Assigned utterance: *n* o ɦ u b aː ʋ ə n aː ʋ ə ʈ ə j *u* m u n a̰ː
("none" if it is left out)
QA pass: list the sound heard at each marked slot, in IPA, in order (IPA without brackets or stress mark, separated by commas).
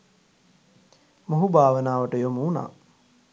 m, o